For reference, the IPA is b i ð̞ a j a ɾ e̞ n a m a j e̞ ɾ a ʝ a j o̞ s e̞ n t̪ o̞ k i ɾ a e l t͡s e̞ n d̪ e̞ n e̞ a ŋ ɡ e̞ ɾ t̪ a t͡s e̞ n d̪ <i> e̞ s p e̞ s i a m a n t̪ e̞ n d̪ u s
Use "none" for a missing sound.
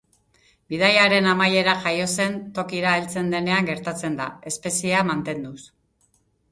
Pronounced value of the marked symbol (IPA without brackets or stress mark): a